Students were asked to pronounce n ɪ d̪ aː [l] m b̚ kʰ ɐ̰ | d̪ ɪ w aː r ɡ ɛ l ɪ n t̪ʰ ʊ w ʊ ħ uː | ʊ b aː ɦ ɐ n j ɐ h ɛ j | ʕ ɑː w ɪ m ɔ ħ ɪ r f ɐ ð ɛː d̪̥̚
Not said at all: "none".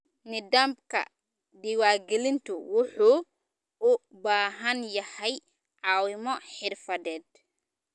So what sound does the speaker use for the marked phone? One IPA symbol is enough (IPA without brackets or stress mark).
none